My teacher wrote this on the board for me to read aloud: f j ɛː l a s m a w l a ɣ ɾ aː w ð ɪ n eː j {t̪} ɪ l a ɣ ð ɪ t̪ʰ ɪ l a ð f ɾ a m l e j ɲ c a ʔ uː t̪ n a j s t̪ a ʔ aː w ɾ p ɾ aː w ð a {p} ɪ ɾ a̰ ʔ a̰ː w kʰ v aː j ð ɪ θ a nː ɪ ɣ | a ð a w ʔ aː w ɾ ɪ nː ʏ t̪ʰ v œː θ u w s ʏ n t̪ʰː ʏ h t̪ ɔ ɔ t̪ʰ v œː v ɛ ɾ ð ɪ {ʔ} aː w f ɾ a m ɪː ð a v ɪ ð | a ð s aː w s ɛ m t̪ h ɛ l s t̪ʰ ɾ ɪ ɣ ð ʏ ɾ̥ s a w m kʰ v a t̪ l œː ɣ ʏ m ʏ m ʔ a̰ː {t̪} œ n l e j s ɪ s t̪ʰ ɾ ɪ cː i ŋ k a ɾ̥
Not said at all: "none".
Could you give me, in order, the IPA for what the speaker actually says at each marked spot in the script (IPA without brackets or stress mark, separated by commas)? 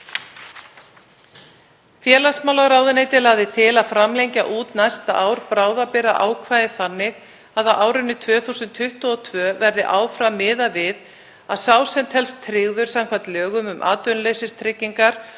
t̪, p, ʔ, t̪